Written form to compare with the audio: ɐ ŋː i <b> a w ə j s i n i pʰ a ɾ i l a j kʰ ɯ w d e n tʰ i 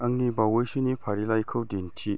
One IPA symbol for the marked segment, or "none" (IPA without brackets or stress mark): b